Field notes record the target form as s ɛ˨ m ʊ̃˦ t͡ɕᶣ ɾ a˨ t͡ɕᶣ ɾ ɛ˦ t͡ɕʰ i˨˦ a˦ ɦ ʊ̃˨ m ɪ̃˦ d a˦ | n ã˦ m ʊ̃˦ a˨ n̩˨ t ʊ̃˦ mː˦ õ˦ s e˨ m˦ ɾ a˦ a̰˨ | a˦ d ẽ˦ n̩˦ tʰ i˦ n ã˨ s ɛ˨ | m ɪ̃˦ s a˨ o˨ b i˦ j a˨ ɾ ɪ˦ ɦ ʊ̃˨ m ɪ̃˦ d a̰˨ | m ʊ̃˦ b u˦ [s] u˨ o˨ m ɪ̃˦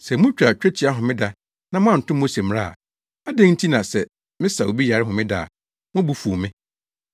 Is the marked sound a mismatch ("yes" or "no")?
yes